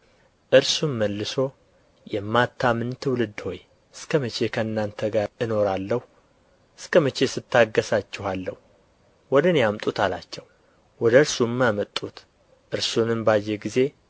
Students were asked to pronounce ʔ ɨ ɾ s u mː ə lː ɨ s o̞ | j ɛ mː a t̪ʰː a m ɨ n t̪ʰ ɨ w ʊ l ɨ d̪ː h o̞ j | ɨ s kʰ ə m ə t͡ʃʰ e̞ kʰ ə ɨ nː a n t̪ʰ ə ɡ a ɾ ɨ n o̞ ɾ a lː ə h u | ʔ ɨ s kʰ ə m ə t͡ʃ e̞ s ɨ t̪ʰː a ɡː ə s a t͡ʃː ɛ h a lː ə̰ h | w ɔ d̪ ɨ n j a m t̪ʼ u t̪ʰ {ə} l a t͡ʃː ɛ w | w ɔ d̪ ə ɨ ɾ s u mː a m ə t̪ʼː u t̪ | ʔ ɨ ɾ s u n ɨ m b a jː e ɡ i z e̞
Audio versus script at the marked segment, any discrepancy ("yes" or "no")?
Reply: yes